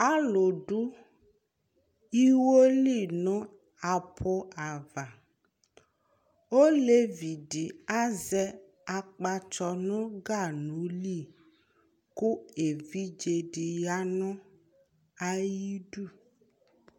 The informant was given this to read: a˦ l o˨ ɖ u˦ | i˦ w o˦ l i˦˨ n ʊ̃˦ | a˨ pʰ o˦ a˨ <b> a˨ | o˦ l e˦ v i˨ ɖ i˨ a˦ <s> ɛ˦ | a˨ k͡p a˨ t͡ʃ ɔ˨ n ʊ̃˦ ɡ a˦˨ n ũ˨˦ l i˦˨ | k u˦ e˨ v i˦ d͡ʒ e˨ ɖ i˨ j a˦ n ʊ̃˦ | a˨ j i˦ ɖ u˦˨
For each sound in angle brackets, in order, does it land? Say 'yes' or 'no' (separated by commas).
no, no